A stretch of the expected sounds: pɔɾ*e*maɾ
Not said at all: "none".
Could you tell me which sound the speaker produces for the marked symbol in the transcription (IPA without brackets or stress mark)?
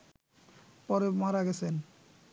e